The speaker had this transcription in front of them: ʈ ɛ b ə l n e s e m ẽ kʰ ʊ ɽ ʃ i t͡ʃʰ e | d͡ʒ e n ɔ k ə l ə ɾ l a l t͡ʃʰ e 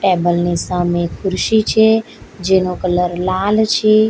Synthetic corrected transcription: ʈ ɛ b ə l n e s a m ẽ kʰ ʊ ɾ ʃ i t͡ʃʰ e | d͡ʒ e n o k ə l ə ɾ l a l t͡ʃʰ e